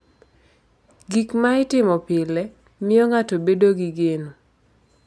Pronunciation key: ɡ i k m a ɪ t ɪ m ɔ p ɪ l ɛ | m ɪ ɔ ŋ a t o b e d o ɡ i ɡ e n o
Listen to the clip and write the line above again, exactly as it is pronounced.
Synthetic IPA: ɡ i k m a ɪ t ɪ m ɔ p ɪ l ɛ | m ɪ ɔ ŋ a t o b e d o ɡ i ɡ e n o

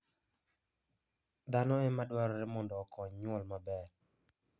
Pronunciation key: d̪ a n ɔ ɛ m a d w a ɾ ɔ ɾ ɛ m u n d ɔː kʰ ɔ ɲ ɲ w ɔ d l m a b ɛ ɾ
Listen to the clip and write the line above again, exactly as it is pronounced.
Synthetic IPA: d̪ a n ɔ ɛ m a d w a ɾ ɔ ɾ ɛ m ɔ n d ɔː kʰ ɔ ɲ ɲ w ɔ l m a b ɛ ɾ

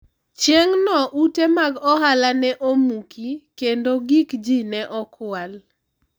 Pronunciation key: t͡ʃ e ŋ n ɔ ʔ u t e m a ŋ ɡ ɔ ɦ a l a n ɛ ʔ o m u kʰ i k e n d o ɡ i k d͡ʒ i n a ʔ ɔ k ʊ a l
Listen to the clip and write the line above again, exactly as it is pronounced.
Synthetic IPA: t͡ʃ e ŋ n ɔ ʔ u t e m a ɡ ɔ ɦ a l a n ɛ ʔ o m u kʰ i k e n d o ɡ i k d͡ʒ i n ɛ ʔ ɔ k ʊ a l

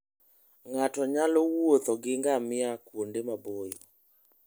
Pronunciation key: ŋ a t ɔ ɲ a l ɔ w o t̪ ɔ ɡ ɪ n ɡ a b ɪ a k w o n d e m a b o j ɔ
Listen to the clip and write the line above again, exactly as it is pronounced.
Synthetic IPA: ŋ a t ɔ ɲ a l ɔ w o t̪ ɔ ɡ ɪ ŋ ɡ a m ɪ a k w o n d e m a b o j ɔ

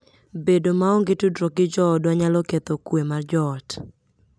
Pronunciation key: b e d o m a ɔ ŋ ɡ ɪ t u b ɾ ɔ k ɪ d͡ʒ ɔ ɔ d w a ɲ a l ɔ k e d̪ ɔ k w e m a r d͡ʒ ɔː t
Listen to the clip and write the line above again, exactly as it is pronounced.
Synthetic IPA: b e d o m a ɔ ŋ ɡ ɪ t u d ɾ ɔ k ɪ d͡ʒ ɔ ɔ d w a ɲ a l ɔ k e t̪ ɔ k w e m a r d͡ʒ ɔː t

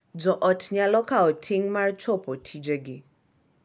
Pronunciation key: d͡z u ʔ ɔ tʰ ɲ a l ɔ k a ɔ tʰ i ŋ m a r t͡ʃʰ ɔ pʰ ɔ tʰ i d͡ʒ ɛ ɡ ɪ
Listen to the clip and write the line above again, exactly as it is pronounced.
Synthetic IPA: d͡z ɔ ʔ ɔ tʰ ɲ a l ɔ k a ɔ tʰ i ŋ m a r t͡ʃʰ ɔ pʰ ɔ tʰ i d͡ʒ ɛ ɡ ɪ

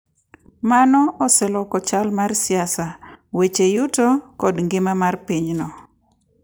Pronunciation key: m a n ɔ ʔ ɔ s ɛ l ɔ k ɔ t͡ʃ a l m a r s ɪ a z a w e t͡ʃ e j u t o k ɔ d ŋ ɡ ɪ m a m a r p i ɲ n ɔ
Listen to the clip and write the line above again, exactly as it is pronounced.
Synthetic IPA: m a n ɔ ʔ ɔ s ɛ l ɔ k ɔ t͡ʃ a l m a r s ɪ a s a w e t͡ʃ e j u t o k ɔ d ŋ ɡ ɪ m a m a r p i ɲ n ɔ

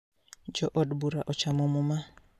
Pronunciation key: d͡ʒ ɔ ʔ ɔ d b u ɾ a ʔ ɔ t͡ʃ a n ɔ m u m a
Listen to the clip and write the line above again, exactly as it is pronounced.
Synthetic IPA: d͡ʒ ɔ ʔ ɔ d b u ɾ a ʔ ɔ t͡ʃ a m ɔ m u m a

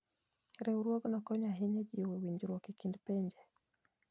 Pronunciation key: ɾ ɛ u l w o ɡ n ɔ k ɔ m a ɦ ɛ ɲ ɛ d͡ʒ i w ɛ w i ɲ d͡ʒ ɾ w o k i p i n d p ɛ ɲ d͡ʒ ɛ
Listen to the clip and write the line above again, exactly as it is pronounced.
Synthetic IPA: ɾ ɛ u ɾ w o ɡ n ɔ k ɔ ɲ a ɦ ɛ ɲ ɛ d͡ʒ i w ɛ w i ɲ d͡ʒ ɾ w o k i k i n d p ɛ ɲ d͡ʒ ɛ

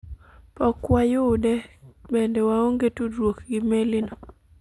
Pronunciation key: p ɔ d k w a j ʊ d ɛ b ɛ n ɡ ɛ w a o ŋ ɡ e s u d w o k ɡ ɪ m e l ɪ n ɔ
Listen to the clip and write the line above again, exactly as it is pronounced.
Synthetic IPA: p ɔ k w a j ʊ d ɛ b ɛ n d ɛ w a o ŋ ɡ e t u d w o k ɡ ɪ m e l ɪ n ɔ

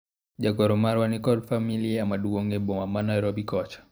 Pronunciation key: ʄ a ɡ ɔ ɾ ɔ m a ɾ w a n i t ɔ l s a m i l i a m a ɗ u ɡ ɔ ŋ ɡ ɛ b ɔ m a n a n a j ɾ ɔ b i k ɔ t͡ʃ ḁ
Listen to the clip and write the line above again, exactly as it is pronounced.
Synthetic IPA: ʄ a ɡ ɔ ɾ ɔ m a ɾ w a n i k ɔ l f a m i l i a m a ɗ u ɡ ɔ ŋ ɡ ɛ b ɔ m a m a n a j ɾ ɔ b i k ɔ t͡ʃ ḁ

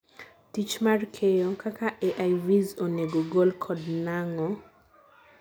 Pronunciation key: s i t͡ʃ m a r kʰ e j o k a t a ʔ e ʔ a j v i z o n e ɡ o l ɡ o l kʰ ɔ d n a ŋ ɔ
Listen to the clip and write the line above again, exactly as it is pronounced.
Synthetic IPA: t i t͡ʃ m a r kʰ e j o k a k a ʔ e ʔ a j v i z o n e ɡ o ɡ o l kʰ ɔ d n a ŋ ɔ

